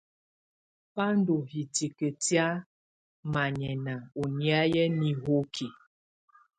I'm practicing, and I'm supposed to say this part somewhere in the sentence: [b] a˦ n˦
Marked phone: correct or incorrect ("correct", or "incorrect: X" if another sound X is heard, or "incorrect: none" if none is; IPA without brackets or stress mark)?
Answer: incorrect: p